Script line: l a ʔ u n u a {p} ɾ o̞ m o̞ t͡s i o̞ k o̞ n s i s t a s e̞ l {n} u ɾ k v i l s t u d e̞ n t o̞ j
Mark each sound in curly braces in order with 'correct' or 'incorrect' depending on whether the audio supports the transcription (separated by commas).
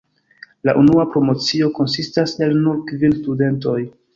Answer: correct, correct